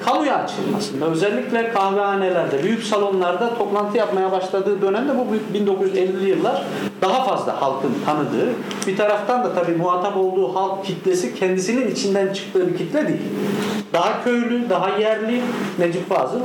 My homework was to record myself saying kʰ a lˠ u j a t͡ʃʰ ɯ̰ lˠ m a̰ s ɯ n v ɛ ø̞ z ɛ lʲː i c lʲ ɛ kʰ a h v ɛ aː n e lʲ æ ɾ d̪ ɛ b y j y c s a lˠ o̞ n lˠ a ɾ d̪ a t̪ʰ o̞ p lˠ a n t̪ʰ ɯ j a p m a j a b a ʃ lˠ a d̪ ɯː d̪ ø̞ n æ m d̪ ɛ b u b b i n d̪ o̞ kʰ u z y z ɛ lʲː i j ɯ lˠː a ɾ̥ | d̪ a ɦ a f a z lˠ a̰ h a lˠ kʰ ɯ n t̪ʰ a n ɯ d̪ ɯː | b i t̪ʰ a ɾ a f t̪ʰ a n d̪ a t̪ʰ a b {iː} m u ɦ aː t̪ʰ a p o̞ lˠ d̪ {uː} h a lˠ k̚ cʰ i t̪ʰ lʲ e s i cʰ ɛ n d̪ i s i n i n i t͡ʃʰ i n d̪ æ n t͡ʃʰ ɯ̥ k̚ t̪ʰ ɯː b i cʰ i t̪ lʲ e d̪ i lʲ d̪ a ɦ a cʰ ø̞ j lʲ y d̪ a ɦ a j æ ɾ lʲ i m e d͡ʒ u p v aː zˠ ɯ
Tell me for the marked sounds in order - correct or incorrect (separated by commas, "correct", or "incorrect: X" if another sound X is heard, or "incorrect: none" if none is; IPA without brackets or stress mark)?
correct, correct